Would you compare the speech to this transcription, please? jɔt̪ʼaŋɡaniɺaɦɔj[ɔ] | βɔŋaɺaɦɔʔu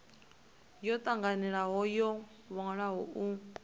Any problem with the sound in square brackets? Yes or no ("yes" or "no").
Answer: no